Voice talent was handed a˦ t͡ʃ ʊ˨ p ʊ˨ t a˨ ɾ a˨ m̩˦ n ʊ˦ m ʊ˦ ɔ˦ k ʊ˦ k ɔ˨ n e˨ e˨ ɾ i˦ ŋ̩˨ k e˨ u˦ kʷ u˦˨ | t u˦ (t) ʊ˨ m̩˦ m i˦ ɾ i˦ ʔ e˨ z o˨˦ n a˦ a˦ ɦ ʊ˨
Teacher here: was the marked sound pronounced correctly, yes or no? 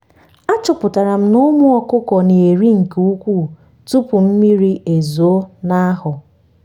no